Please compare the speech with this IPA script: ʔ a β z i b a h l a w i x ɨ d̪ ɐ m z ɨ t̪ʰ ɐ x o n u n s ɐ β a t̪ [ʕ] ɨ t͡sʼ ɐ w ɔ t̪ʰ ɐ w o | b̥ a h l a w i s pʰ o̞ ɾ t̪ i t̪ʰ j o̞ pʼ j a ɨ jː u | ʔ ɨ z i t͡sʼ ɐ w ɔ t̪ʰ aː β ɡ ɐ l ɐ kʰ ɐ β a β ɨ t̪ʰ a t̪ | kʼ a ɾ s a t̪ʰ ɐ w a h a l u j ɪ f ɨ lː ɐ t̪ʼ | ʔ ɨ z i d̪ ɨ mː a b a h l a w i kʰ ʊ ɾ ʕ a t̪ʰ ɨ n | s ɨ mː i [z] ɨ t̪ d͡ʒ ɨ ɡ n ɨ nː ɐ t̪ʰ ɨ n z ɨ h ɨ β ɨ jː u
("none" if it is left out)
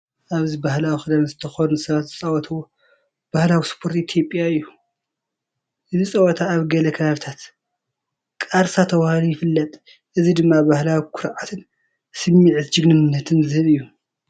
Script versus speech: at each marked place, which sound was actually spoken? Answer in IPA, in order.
z, ʕ

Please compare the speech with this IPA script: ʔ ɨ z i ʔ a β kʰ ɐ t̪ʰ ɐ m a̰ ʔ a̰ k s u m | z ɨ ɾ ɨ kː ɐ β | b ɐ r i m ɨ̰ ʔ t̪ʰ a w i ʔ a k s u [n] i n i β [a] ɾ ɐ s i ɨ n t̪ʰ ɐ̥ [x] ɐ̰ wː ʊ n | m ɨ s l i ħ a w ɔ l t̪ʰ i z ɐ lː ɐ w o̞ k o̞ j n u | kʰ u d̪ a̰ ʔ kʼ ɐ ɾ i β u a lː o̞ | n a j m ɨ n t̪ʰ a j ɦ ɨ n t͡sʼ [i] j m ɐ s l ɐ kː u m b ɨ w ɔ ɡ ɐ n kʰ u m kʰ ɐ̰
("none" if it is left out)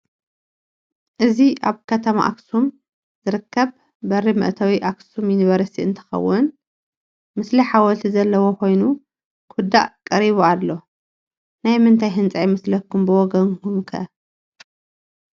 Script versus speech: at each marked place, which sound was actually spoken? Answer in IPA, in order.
m, ɐ, x, a

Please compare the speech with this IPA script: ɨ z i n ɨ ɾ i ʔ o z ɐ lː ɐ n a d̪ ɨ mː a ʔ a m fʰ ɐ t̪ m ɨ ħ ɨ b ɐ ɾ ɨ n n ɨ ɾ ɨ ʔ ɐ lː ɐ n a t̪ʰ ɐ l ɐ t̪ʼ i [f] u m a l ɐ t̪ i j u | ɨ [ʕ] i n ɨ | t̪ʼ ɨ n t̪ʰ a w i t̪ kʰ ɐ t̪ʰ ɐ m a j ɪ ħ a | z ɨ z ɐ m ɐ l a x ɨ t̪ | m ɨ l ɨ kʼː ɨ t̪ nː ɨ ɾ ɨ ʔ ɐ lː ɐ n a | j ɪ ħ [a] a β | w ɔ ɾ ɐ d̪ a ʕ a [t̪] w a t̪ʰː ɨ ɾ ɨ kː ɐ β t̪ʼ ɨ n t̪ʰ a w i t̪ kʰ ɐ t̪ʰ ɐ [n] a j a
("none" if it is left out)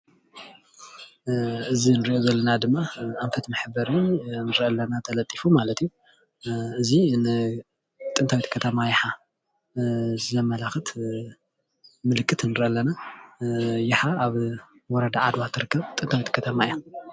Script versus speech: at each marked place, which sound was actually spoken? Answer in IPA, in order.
f, z, a, d̪, m

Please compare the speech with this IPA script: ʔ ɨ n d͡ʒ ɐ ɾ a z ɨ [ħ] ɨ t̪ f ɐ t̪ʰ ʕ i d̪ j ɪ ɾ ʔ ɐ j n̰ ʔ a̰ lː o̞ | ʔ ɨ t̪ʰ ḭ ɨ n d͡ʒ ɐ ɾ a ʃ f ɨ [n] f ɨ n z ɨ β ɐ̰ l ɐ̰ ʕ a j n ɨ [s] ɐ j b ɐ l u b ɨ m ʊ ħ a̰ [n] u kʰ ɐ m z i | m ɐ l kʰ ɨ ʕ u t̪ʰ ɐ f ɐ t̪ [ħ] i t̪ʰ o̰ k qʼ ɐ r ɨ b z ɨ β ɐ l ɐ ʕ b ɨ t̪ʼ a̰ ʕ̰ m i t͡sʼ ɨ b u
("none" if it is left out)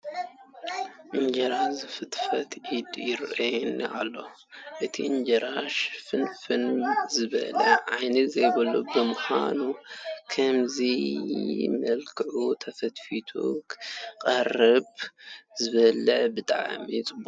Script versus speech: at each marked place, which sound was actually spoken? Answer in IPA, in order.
f, n, z, n, f

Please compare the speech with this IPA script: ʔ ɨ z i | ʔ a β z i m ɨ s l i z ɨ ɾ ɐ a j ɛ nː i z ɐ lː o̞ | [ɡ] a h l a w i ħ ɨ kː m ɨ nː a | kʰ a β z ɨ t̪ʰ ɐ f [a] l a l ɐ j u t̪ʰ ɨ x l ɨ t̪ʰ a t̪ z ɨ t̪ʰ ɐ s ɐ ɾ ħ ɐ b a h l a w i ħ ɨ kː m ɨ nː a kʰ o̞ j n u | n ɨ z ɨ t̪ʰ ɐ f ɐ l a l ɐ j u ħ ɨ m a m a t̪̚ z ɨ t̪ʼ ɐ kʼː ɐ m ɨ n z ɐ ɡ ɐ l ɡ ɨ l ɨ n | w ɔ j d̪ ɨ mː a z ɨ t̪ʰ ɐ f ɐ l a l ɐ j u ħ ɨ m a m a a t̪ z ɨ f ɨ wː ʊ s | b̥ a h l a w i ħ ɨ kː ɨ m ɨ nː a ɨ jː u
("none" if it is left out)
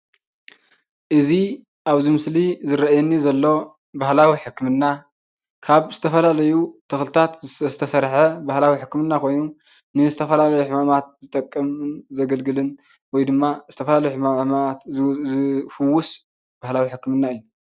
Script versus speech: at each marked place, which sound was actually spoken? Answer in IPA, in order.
b, ɐ

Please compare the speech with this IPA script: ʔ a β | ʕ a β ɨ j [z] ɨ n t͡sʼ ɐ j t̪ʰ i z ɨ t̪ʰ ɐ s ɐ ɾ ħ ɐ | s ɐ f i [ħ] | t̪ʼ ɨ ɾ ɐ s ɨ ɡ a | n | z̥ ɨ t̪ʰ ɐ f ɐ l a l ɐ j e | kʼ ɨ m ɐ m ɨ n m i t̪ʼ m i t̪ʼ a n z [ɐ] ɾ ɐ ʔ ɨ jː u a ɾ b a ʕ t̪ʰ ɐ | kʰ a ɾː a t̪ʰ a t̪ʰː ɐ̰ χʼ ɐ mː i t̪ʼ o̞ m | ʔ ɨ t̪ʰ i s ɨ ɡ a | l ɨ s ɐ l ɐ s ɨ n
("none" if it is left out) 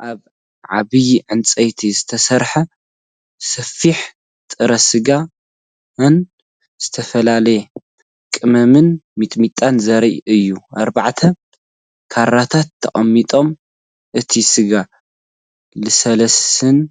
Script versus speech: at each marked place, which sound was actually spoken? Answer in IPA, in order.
ʕ, ħ, ɐ

